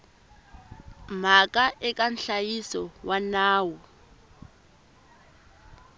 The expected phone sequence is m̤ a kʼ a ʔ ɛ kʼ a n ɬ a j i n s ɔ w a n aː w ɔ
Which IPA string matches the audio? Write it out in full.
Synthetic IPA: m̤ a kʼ a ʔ ɛ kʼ a n ɬ a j i s ɔ w a n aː w ɔ